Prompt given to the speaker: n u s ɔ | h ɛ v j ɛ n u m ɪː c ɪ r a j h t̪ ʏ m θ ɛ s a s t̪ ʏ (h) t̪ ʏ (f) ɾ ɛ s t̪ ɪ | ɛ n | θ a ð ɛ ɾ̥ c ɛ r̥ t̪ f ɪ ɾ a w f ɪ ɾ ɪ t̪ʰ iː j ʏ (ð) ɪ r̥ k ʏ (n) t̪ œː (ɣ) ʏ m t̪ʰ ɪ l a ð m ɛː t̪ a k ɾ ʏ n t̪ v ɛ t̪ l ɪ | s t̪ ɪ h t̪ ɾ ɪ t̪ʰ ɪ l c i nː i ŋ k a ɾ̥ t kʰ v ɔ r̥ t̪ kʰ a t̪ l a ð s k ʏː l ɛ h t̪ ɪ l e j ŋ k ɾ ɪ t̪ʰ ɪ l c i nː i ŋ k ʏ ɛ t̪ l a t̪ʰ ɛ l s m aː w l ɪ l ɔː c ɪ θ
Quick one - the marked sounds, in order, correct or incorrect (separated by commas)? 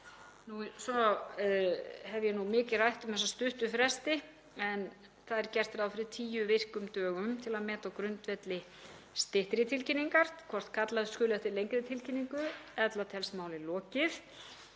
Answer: correct, correct, incorrect, incorrect, correct